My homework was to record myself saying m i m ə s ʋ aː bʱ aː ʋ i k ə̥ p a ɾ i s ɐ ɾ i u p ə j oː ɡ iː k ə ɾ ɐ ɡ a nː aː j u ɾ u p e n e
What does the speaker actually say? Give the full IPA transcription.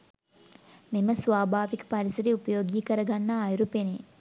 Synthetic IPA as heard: m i m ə s ʋ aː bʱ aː ʋ i k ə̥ p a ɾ i s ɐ ɾ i u p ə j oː ɡ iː k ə ɾ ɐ ɡ a nː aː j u ɾ u p e n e